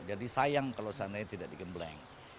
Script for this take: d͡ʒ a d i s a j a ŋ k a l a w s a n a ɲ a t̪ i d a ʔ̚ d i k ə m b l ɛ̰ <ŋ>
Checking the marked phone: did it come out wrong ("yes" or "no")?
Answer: no